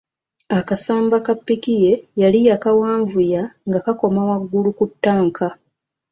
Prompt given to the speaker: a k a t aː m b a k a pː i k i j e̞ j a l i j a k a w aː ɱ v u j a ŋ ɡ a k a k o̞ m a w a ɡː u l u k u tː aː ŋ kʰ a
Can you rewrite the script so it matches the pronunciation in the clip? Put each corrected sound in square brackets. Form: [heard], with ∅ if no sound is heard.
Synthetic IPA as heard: a k a [s] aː m b a k a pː i k i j e̞ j a l i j a k a w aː ɱ v u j a ŋ ɡ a k a k o̞ m a w a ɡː u l u k u tː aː ŋ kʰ a